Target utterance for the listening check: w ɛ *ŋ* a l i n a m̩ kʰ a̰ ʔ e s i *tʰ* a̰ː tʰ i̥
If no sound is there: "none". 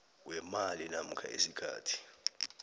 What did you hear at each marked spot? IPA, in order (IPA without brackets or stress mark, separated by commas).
m, kʰ